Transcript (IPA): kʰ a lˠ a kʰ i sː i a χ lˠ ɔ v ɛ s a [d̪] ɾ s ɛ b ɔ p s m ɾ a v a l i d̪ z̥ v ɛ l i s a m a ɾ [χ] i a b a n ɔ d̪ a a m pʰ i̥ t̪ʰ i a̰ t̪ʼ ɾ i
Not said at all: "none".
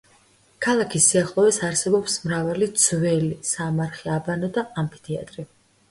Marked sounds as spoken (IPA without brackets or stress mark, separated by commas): none, χ